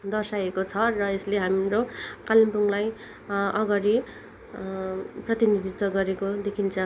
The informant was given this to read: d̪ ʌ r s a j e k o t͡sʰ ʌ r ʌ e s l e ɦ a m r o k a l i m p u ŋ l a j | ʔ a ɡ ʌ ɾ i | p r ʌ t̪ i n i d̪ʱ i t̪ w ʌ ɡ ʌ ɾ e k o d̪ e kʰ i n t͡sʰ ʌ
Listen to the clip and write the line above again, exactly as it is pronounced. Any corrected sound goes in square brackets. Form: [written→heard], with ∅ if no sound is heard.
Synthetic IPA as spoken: d̪ ʌ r s a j e k o t͡sʰ ʌ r ʌ e s l e ɦ a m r o k a l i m p u ŋ l a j | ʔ [a→ʌ] ɡ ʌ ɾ i | p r ʌ t̪ i n i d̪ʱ i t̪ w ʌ ɡ ʌ ɾ e k o d̪ e kʰ i n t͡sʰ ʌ